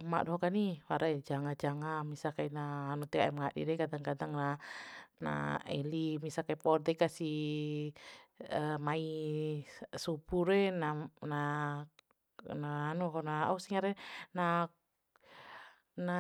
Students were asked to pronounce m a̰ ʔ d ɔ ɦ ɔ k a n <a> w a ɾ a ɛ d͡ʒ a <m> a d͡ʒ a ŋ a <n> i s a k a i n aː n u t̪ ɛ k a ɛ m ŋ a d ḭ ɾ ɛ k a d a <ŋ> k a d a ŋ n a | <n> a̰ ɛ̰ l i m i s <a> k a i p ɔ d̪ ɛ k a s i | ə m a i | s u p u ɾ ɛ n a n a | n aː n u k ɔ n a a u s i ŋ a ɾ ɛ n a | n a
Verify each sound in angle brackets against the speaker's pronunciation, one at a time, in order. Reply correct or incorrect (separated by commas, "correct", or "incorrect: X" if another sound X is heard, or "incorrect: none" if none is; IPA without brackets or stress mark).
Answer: incorrect: i, incorrect: ŋ, incorrect: m, correct, correct, correct